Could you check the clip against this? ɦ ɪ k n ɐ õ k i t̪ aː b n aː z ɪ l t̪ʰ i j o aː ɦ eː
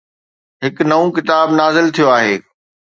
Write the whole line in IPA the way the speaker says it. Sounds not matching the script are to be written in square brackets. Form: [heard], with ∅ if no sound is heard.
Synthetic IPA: ɦ ɪ k n ɐ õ k [ɪ] t̪ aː b n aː z ɪ l t̪ʰ i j o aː ɦ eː